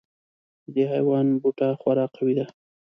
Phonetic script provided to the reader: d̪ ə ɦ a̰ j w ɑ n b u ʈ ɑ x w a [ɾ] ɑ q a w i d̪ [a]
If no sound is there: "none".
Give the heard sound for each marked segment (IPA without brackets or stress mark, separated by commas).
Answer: ɾ, a